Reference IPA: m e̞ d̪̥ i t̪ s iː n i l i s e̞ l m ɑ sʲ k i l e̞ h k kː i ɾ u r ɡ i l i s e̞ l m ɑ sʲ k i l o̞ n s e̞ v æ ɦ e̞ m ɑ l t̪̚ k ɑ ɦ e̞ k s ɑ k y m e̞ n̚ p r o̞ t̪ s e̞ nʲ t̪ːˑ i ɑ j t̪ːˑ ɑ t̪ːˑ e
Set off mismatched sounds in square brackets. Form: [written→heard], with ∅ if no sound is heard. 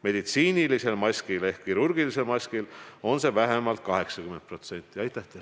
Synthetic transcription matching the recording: m e̞ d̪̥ i t̪ s iː n i l i s e̞ l m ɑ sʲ k i l e̞ h k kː i ɾ u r ɡ i l i s e̞ l m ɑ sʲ k i l o̞ n s e̞ v æ ɦ e̞ m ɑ l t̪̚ k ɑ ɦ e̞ k s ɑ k y m e̞ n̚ p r o̞ t̪ s e̞ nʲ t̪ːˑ i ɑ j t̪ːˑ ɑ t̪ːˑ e